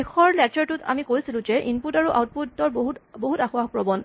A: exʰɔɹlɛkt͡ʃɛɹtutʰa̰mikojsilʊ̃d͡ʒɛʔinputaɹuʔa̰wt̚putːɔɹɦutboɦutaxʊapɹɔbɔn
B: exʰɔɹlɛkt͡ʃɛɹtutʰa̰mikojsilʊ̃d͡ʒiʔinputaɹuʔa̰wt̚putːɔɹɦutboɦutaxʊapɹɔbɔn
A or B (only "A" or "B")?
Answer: A